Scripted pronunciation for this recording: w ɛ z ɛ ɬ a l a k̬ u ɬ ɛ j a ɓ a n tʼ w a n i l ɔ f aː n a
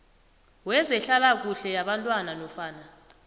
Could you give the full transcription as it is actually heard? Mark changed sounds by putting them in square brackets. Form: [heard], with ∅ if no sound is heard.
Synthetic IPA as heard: w ɛ z ɛ ɬ a l a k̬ u ɬ ɛ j a ɓ a n tʼ w a n [a] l ɔ f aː n a